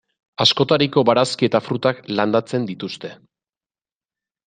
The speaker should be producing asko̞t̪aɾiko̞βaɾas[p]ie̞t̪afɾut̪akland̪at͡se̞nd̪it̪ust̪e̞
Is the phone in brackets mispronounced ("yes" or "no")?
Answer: yes